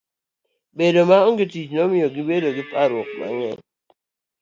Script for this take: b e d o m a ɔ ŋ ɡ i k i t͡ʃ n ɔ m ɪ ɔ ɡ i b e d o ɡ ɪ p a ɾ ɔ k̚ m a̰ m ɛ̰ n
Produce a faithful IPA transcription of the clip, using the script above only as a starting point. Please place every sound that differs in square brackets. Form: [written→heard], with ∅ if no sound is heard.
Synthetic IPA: b e d o m a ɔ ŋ ɡ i [k→t] i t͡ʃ n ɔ m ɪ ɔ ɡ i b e d o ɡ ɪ p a ɾ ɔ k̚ m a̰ [m→ŋ] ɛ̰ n